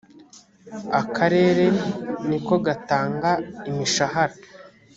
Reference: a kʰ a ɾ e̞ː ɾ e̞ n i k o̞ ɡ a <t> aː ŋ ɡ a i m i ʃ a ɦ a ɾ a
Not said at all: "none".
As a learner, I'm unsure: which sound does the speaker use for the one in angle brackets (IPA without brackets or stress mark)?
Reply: t